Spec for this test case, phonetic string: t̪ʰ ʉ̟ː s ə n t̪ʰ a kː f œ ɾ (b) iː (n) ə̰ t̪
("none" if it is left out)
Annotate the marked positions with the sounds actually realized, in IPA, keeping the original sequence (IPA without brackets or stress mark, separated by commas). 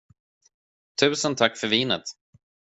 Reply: v, n